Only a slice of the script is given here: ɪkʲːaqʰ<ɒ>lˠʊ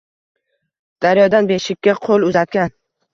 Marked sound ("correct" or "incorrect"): incorrect